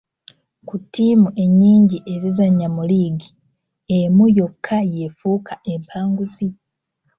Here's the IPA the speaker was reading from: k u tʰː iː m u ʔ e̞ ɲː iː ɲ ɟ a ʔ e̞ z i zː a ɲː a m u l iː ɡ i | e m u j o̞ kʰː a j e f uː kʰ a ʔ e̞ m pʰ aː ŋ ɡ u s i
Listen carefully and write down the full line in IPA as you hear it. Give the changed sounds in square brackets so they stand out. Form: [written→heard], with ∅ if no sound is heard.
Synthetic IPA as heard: k u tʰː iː m u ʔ e̞ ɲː iː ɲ ɟ [a→i] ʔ e̞ z i [zː→z] a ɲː a m u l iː ɡ i | e m u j o̞ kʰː a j e f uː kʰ a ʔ e̞ m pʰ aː ŋ ɡ u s i